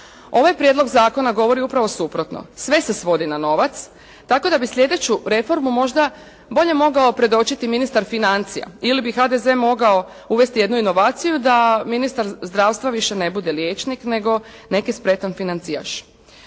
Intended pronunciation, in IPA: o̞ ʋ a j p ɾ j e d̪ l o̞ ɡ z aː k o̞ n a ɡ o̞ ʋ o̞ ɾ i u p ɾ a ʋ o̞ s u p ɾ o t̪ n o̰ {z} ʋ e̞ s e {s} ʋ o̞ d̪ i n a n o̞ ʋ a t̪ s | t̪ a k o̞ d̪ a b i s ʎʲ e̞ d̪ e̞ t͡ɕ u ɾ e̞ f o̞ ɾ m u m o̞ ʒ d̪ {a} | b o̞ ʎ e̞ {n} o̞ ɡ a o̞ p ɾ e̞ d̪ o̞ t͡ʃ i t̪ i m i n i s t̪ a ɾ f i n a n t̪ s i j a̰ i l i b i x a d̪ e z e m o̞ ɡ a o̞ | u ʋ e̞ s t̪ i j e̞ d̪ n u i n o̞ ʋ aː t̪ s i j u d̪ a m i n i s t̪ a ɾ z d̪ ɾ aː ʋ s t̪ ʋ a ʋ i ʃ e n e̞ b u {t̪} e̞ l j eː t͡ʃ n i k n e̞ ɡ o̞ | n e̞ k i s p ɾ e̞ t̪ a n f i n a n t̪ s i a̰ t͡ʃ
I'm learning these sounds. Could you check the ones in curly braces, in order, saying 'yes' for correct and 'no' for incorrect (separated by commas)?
no, yes, yes, no, no